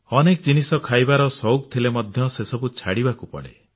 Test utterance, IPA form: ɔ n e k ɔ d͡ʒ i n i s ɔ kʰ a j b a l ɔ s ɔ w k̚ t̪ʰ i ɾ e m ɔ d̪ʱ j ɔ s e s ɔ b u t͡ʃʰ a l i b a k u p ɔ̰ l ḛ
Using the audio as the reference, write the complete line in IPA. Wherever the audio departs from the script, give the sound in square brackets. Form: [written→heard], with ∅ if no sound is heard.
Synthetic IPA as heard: ɔ n e k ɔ d͡ʒ i n i s ɔ kʰ a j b a [l→ɾ] ɔ s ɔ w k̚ t̪ʰ i [ɾ→l] e m ɔ d̪ʱ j ɔ s e s ɔ b u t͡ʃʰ a [l→ɽ] i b a k u p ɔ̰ [l→ɽ] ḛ